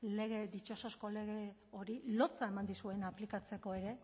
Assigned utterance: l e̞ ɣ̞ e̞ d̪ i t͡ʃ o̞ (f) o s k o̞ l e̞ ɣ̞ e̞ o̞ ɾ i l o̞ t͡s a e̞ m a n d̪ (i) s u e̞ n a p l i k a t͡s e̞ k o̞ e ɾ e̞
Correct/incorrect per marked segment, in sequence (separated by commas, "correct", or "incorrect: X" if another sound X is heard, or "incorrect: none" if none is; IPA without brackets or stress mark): incorrect: s, correct